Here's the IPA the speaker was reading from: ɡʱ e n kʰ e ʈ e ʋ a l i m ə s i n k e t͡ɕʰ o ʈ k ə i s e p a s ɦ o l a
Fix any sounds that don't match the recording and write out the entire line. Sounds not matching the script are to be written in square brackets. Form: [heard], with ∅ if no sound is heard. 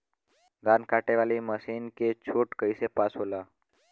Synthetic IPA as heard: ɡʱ [a] n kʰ [a] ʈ e ʋ a l i m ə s i n k e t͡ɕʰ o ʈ k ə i s e p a s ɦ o l a